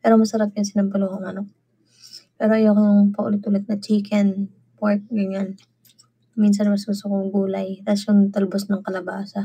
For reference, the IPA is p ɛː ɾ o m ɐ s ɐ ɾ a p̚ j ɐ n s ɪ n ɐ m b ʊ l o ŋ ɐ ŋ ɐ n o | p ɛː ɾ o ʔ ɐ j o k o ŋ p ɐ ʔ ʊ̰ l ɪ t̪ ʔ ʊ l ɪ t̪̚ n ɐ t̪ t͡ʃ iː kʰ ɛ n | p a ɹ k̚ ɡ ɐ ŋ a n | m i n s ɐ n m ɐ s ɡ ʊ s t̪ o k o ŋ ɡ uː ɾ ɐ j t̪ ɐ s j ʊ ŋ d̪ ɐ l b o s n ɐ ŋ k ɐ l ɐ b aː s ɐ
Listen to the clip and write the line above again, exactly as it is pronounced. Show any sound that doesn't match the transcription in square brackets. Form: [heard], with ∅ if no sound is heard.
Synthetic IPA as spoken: p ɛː ɾ o m ɐ s ɐ ɾ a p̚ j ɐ n s ɪ n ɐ m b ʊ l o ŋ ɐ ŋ ɐ n o | p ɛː ɾ o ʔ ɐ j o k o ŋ p ɐ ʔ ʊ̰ l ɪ t̪ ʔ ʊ l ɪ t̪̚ n ɐ [∅] t͡ʃ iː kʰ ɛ n | p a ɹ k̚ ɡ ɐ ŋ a n | m i n s ɐ n m ɐ s ɡ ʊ s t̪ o k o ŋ ɡ uː [l] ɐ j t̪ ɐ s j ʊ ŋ [t̪] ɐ l b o s n ɐ ŋ k ɐ l ɐ b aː s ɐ